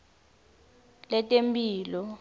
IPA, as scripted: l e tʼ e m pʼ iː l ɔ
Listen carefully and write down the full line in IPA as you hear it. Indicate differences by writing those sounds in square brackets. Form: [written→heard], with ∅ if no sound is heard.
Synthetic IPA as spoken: l [e→ɛ] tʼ e m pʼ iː l ɔ